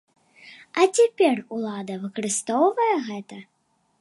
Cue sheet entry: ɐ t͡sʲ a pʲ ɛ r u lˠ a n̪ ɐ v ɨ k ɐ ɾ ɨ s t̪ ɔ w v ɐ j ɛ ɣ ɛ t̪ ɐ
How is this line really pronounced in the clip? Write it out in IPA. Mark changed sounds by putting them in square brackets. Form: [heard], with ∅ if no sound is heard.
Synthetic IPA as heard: ɐ t͡sʲ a pʲ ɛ r u lˠ a [d̪] ɐ v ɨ k ɐ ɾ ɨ s t̪ ɔ w v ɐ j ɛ ɣ ɛ t̪ ɐ

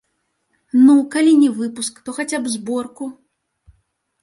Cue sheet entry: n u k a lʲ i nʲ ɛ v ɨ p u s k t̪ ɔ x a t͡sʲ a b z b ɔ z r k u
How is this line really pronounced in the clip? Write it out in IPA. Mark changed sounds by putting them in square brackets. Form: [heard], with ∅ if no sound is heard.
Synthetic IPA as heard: n u k a lʲ i nʲ ɛ v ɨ p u s k t̪ ɔ x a t͡sʲ a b z b ɔ [∅] r k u

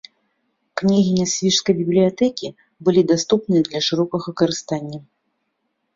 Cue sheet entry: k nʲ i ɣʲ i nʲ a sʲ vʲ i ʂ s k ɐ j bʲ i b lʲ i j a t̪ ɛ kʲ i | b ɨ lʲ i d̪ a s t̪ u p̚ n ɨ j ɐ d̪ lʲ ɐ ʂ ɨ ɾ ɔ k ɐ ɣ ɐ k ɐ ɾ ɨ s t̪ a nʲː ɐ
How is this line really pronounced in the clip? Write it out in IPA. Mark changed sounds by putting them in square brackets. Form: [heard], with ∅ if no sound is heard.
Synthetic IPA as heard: k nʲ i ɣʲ i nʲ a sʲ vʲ i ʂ s k ɐ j bʲ i b lʲ i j a t̪ ɛ kʲ i | b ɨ lʲ i d̪ a s t̪ u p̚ n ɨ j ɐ d̪ lʲ ɐ ʂ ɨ ɾ ɔ k ɐ ɣ ɐ k ɐ ɾ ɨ s t̪ a nʲː ɐ

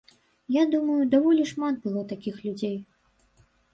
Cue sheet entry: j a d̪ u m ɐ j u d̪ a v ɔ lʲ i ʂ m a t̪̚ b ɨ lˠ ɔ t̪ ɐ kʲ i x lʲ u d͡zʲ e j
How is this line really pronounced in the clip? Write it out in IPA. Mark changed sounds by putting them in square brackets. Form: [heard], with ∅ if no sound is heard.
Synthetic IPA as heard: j a d̪ u m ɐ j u d̪ a v ɔ lʲ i ʂ m a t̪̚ b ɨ lˠ ɔ t̪ [a] kʲ i x lʲ u d͡zʲ e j

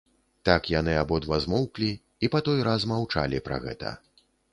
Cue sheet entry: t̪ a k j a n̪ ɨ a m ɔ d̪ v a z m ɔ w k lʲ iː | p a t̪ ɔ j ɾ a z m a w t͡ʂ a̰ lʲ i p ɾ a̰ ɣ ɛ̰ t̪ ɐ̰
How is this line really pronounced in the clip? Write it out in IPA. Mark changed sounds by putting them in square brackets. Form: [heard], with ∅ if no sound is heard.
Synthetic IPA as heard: t̪ a k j a n̪ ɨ a [b] ɔ d̪ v a z m ɔ w k lʲ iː | p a t̪ ɔ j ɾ a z m a w t͡ʂ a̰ lʲ i p ɾ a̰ ɣ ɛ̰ t̪ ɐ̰

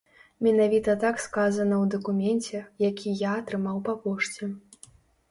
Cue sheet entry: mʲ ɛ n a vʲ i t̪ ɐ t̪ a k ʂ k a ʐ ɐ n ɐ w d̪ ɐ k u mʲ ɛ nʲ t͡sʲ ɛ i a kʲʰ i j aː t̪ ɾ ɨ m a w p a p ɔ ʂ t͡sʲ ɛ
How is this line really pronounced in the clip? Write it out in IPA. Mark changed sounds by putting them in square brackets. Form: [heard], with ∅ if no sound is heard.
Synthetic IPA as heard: mʲ ɛ n a vʲ i t̪ ɐ t̪ a k [s] k a [z] ɐ n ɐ w d̪ ɐ k u mʲ ɛ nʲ t͡sʲ ɛ [j] a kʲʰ i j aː t̪ ɾ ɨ m a w p a p ɔ ʂ t͡sʲ ɛ

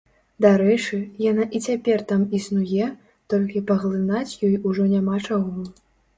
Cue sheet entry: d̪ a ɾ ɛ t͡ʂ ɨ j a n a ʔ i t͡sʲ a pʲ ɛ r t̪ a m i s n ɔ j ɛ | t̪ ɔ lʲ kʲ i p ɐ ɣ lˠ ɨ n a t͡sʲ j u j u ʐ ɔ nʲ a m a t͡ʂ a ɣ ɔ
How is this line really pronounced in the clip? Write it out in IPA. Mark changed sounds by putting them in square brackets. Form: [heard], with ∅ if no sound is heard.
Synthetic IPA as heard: d̪ a ɾ ɛ t͡ʂ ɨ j a n a ʔ i t͡sʲ a pʲ ɛ r t̪ a m i s n [u] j ɛ | t̪ ɔ lʲ kʲ i p ɐ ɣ lˠ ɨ n a t͡sʲ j [ɔ] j u ʐ ɔ nʲ a m a t͡ʂ a ɣ ɔ

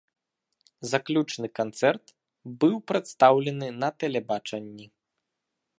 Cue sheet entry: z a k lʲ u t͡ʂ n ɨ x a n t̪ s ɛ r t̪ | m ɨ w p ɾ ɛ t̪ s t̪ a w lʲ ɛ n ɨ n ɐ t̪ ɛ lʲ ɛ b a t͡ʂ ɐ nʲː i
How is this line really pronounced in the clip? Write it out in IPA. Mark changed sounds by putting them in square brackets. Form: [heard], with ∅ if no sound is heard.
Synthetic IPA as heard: z a k lʲ u t͡ʂ n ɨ [k] a n t̪ s ɛ r t̪ | [b] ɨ w p ɾ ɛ t̪ s t̪ a w lʲ ɛ n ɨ n ɐ t̪ ɛ lʲ ɛ b a t͡ʂ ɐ nʲː i

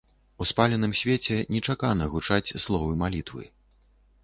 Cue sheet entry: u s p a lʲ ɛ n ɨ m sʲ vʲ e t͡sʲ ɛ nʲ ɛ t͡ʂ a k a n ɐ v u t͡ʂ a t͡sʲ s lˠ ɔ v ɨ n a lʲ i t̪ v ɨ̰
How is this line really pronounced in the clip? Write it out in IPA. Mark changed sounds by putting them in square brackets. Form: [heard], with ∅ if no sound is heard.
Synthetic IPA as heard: u s p a lʲ ɛ n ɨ m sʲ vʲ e t͡sʲ ɛ nʲ ɛ t͡ʂ a k a n ɐ [ɣ] u t͡ʂ a t͡sʲ s lˠ ɔ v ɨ [m] a lʲ i t̪ v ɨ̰

